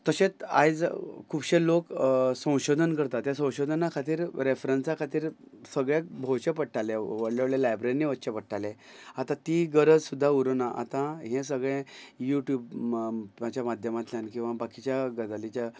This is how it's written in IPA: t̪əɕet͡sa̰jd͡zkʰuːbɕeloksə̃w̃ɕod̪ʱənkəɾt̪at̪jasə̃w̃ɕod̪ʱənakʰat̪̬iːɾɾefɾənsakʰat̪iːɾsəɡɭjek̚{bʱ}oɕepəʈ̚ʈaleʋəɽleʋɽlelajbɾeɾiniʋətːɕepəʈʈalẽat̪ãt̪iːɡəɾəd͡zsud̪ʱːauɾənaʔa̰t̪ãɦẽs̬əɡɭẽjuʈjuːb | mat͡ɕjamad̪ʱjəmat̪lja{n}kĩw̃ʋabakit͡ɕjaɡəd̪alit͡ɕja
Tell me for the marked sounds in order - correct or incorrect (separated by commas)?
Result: correct, correct